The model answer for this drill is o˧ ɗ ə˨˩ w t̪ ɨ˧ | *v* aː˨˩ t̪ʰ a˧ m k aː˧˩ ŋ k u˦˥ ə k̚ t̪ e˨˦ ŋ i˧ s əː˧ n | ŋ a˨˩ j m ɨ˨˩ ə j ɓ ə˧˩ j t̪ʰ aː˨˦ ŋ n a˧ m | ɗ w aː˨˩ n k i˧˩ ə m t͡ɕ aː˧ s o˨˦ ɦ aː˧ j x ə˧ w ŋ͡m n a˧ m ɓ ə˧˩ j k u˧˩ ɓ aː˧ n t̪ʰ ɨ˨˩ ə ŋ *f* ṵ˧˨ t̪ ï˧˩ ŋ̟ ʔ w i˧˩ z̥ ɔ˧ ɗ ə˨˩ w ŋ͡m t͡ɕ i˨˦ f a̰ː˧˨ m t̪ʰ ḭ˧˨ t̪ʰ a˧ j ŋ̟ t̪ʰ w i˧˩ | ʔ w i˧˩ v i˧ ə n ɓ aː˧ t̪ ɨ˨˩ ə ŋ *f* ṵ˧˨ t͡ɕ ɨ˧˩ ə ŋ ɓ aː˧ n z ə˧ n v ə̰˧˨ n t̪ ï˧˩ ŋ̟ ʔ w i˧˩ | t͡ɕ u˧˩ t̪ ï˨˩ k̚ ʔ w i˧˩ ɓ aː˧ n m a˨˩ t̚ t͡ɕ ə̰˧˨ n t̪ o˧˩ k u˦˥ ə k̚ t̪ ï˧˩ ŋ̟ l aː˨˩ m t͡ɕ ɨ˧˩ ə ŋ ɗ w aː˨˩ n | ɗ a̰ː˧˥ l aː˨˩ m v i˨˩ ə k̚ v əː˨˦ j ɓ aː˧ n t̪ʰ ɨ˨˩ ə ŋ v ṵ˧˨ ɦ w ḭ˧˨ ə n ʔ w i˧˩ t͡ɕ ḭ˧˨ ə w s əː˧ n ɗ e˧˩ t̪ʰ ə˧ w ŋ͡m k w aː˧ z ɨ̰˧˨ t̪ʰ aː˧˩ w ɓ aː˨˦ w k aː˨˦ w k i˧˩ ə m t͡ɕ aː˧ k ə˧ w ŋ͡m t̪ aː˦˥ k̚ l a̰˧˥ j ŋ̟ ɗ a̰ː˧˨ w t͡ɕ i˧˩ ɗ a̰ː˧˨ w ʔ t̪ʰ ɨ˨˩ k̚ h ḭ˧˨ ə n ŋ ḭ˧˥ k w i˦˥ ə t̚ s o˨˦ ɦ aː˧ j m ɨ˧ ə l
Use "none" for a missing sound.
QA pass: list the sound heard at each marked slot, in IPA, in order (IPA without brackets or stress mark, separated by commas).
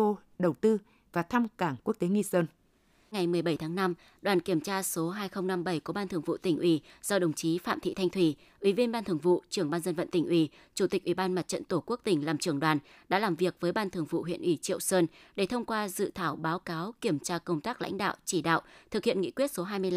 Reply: v, v, v